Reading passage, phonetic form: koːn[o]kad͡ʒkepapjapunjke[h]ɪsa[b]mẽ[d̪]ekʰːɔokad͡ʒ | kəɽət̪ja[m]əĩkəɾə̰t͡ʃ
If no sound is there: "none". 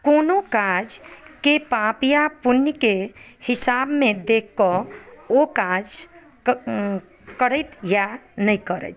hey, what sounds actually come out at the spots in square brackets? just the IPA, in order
o, h, b, d̪, n

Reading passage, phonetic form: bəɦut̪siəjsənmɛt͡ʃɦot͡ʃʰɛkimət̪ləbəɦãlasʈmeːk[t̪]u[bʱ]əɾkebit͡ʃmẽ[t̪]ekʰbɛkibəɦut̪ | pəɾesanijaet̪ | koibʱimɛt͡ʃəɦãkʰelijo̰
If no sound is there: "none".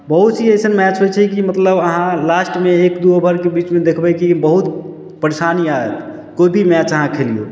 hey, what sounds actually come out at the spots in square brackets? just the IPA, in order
d̪, bʱ, d̪

